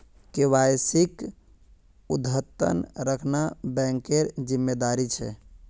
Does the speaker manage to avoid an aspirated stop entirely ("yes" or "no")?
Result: no